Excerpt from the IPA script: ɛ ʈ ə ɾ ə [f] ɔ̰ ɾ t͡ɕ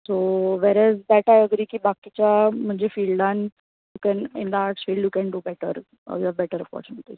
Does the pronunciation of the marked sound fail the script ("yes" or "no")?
no